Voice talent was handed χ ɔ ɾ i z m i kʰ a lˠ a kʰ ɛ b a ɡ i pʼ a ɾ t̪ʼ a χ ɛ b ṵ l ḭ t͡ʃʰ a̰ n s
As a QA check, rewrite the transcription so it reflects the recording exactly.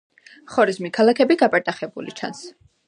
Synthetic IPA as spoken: χ ɔ ɾ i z m i kʰ a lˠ a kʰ ɛ b i ɡ a pʼ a ɾ t̪ʼ a χ ɛ b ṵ l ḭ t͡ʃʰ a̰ n s